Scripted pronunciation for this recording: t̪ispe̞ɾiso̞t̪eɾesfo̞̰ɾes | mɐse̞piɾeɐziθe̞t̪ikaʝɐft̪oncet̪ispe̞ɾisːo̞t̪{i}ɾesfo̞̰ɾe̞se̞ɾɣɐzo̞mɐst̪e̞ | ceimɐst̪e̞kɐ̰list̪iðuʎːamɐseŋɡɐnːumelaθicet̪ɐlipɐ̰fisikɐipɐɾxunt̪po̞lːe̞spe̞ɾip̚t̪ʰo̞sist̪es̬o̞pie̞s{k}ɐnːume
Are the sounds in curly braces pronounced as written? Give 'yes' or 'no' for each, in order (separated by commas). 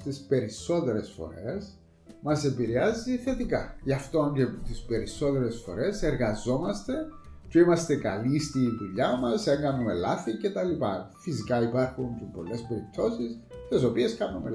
no, yes